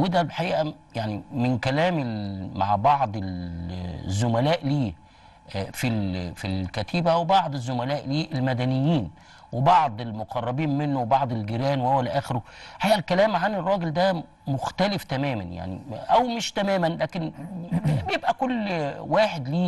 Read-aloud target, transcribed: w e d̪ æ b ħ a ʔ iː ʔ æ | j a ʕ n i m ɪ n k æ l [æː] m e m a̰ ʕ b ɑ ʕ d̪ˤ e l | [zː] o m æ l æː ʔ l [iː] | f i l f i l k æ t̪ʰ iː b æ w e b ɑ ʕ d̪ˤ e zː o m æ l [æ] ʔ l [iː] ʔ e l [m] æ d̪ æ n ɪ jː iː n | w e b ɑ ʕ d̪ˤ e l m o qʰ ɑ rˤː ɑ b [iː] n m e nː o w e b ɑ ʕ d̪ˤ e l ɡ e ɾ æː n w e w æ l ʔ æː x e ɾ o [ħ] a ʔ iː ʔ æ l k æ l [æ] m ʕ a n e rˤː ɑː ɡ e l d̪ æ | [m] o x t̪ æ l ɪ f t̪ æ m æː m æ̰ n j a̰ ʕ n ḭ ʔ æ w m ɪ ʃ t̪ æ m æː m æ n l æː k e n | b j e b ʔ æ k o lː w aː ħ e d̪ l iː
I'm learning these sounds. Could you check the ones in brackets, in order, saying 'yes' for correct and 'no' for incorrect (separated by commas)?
yes, yes, yes, no, yes, yes, yes, yes, no, yes